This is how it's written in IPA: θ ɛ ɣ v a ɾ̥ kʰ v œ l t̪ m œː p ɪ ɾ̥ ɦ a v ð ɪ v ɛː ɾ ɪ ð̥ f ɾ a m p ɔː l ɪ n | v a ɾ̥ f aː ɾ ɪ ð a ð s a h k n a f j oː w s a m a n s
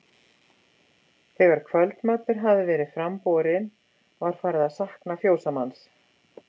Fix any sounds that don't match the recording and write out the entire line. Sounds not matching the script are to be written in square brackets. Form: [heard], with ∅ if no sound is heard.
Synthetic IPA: θ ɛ ɣ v a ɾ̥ kʰ v œ l t̪ m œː p ɪ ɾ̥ ɦ a v ð ɪ v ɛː ɾ ɪ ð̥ f ɾ a m p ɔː [ɾ] ɪ n | v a ɾ̥ f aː ɾ ɪ ð a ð s a h k n a f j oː w s a m a n s